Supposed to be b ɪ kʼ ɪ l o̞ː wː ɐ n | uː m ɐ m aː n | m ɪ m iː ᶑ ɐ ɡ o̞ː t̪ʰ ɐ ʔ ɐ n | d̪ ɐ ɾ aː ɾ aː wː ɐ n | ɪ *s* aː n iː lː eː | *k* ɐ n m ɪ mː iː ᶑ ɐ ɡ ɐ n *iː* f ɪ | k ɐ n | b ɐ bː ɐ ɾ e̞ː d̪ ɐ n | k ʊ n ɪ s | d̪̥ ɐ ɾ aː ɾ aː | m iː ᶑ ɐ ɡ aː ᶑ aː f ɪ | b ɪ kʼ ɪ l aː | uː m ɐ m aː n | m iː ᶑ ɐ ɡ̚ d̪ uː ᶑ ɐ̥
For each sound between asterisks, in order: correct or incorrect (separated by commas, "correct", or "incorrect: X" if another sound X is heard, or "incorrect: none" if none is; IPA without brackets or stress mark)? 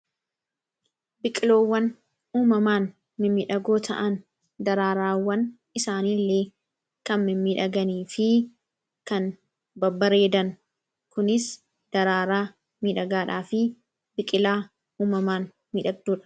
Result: correct, correct, correct